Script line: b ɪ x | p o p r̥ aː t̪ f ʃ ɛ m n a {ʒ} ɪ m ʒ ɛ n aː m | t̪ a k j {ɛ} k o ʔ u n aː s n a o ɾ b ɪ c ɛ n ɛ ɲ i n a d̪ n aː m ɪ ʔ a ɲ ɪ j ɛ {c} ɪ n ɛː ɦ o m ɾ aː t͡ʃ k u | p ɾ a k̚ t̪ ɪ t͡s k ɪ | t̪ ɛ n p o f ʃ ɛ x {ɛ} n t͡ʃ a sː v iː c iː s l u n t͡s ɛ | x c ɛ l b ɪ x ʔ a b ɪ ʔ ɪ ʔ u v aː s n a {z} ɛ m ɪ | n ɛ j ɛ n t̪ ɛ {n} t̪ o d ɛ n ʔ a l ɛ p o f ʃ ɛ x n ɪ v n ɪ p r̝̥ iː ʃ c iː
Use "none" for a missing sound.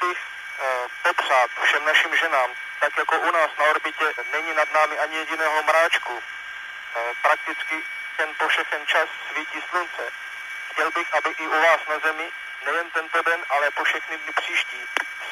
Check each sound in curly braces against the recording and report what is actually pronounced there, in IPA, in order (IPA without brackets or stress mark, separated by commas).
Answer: ʃ, a, ɟ, ɛ, z, n